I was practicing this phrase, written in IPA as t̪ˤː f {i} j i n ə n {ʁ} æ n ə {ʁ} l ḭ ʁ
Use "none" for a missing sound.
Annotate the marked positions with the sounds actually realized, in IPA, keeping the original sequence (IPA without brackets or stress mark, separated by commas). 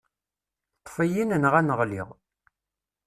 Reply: æ, ʁ, ʁ